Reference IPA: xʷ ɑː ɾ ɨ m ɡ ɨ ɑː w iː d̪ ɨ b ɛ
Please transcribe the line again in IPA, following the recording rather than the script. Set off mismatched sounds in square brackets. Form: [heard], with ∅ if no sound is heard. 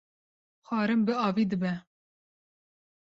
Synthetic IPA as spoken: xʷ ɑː ɾ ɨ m [b] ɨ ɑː [v] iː d̪ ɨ b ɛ